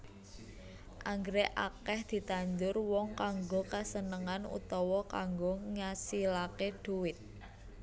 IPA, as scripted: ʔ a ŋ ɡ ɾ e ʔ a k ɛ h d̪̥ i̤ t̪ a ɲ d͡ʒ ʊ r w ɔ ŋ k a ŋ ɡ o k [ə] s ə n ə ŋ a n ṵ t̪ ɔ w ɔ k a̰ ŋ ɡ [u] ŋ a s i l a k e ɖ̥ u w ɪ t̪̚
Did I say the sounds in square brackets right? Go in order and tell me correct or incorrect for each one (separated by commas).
incorrect, incorrect